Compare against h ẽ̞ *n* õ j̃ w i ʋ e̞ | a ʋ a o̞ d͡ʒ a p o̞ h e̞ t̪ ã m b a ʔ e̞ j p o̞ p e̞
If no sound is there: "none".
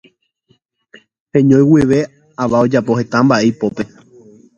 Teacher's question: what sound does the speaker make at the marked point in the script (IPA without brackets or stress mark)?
ɲ